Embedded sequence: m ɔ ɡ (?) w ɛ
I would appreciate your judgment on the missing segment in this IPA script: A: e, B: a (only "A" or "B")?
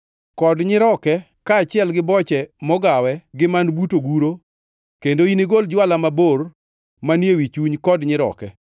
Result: B